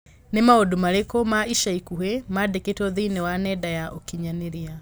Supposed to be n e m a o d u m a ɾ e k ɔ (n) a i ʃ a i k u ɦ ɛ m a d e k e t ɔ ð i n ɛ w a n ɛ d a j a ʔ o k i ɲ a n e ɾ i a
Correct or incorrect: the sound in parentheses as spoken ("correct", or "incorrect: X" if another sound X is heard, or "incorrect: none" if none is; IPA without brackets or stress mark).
incorrect: m